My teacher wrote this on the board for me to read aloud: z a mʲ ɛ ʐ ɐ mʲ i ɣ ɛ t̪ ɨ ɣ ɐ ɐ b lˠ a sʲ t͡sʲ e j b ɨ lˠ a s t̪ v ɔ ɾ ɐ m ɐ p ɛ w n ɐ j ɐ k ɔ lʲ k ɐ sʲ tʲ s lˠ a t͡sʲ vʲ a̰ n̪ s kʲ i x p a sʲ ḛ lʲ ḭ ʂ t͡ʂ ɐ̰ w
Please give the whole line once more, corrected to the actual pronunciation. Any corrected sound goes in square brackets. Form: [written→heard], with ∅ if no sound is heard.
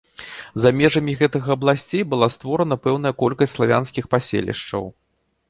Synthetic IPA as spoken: z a mʲ ɛ ʐ ɐ mʲ i ɣ ɛ t̪ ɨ ɣ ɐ ɐ b lˠ a sʲ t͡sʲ e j b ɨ lˠ a s t̪ v ɔ ɾ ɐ [m→n] ɐ p ɛ w n ɐ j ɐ k ɔ lʲ k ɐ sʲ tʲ s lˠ a [t͡sʲ→∅] vʲ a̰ n̪ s kʲ i x p a sʲ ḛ lʲ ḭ ʂ t͡ʂ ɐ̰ w